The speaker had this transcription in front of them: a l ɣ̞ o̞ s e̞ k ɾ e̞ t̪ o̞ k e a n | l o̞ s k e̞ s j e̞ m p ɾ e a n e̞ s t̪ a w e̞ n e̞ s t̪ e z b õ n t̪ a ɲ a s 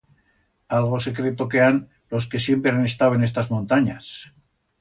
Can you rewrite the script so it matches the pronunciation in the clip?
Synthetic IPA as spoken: a l ɣ̞ o̞ s e̞ k ɾ e̞ t̪ o̞ k e a n | l o̞ s k e̞ s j e̞ m p ɾ e a n e̞ s t̪ a w e̞ n e̞ s t̪ a z m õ n t̪ a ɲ a s